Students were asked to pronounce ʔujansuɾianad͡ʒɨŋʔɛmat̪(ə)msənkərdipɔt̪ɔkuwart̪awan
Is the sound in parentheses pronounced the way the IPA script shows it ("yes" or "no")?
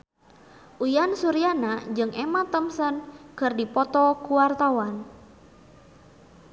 yes